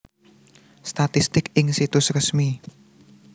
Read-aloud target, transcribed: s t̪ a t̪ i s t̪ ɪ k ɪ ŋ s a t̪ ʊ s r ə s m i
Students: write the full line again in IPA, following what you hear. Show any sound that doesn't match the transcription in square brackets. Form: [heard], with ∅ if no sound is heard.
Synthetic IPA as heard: s t̪ a t̪ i s t̪ ɪ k ɪ ŋ s [i] t̪ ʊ s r ə s m i